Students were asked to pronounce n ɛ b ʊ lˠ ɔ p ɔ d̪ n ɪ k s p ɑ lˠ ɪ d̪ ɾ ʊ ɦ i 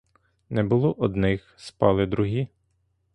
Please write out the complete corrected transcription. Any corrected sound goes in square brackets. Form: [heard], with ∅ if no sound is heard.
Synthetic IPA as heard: n ɛ b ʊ lˠ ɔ [ʔ] ɔ d̪ n ɪ [x] s p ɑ lˠ ɪ d̪ ɾ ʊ ɦ i